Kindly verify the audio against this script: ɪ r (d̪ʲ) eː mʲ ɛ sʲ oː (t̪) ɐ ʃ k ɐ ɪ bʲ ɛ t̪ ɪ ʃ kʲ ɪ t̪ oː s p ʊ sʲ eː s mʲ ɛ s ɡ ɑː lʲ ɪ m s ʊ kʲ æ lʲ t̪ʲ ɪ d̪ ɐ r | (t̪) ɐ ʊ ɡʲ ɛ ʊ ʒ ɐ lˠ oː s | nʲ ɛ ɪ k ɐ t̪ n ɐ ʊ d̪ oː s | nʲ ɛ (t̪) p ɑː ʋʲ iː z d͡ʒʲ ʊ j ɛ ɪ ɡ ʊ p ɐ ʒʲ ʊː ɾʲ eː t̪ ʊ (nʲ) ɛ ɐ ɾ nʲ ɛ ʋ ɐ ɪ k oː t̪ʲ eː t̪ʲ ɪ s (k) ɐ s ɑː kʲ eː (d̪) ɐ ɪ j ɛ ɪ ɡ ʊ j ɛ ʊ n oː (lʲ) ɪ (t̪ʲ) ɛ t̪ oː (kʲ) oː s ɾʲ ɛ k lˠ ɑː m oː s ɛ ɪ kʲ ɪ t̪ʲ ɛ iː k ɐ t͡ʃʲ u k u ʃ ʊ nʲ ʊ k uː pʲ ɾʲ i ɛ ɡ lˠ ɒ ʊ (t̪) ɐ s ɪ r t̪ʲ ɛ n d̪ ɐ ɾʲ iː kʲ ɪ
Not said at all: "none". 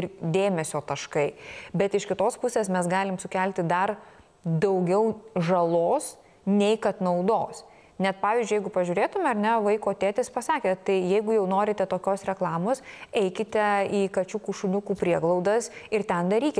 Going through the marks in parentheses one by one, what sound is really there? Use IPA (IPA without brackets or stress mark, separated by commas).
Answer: d̪ʲ, t̪, d̪, t̪, mʲ, p, t̪, ɾʲ, t̪ʲ, kʲ, d̪